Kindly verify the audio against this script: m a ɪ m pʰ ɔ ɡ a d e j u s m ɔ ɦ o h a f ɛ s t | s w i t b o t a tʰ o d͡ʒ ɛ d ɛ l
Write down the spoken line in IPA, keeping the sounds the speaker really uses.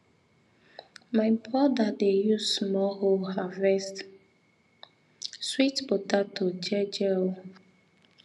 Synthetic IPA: m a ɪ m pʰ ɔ d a d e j u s m ɔ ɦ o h a v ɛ s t | s w i t b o t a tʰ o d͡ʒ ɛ d͡ʒ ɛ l